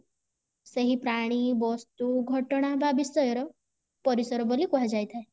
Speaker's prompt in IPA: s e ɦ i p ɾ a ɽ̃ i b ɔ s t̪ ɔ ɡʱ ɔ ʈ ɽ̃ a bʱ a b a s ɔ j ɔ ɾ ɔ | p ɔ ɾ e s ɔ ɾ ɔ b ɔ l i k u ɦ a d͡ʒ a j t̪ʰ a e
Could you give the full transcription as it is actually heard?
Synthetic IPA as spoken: s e ɦ i p ɾ a ɽ̃ i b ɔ s t̪ u ɡʱ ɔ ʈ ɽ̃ a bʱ a b i s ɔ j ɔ ɾ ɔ | p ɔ ɾ i s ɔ ɾ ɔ b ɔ l i k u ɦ a d͡ʒ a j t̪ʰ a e